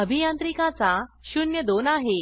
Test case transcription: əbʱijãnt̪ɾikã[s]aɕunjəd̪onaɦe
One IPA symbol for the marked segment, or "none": t͡s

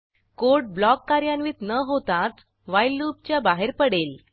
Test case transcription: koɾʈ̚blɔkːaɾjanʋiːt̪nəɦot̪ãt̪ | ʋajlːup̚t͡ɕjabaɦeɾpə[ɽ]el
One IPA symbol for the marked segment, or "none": ɽ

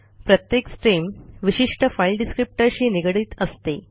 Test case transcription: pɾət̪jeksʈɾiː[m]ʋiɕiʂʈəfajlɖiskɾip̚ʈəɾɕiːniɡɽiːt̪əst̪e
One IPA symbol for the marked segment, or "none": m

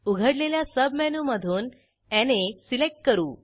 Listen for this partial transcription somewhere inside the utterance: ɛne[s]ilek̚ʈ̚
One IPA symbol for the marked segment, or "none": s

